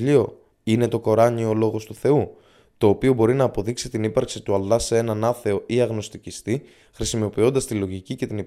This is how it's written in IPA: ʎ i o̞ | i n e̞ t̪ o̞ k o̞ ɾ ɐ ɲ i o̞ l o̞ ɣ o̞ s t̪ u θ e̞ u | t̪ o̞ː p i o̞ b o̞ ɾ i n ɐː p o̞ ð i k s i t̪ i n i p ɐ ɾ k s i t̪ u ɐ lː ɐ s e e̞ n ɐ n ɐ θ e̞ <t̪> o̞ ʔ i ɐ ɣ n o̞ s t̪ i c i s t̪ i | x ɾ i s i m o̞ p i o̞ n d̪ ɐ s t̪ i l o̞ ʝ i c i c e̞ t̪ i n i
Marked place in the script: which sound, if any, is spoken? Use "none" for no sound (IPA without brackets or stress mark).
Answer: none